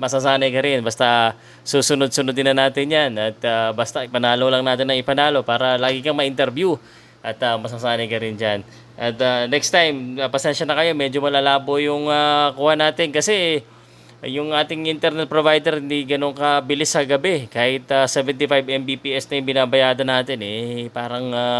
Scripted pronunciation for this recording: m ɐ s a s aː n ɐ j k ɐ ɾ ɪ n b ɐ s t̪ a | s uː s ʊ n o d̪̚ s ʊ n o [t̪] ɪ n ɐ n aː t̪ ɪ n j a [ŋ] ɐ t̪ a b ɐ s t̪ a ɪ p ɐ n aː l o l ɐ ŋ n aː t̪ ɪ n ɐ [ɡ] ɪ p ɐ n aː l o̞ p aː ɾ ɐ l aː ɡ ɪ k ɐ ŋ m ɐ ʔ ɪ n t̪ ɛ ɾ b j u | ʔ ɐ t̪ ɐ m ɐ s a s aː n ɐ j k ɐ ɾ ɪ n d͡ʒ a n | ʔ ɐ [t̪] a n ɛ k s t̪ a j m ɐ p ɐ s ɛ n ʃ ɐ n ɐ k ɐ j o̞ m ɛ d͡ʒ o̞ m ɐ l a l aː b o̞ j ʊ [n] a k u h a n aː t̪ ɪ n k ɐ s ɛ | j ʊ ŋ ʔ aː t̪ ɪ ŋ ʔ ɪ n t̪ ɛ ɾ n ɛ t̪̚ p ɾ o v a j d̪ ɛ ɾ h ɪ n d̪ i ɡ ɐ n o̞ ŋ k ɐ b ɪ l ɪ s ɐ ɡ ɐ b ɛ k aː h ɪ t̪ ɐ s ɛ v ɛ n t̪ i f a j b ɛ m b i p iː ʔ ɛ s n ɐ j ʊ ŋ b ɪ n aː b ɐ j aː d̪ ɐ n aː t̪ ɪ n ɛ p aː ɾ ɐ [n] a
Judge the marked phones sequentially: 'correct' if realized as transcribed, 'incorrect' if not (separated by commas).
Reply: incorrect, incorrect, incorrect, correct, incorrect, incorrect